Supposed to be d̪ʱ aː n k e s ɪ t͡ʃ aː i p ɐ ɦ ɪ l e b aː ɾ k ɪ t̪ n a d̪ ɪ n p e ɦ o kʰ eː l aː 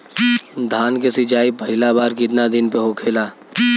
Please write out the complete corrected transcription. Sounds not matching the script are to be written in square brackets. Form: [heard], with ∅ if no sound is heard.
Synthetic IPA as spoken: d̪ʱ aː n k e s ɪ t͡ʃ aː i p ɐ ɦ ɪ l [a] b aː ɾ k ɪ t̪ n a d̪ ɪ n p e ɦ o kʰ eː l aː